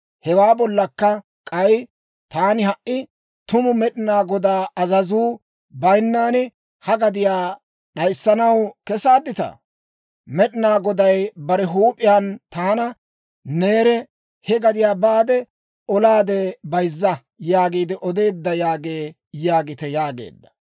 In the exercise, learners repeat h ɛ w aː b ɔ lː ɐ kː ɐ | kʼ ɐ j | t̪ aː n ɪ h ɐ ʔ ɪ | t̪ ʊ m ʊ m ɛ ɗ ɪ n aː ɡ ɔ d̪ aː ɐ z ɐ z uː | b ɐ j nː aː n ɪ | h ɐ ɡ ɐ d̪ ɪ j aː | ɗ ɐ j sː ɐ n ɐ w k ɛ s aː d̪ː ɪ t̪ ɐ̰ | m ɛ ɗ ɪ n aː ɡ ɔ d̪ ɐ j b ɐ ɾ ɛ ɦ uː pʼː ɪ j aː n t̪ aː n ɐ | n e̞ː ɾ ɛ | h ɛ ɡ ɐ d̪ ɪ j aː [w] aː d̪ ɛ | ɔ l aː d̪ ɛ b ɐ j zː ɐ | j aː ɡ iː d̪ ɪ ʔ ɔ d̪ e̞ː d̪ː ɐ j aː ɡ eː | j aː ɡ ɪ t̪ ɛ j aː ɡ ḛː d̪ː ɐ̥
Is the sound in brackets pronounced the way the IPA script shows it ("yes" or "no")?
no